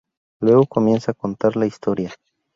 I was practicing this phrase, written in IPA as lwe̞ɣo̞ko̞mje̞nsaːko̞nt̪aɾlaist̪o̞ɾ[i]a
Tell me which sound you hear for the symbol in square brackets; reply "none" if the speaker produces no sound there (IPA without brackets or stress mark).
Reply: j